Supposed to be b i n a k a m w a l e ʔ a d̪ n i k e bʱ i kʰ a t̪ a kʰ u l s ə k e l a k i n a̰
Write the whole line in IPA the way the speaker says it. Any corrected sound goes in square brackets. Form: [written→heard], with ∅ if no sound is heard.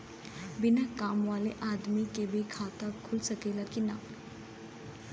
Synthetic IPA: b i n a k a m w a l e ʔ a d̪ [n→m] i k e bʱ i kʰ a t̪ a kʰ u l s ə k e l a k i n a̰